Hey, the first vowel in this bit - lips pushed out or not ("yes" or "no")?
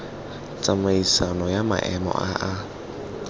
no